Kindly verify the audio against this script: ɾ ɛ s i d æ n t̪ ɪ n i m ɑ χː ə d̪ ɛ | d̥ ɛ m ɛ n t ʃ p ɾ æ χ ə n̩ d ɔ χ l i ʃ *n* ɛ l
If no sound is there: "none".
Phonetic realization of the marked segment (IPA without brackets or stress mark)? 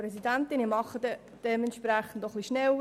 n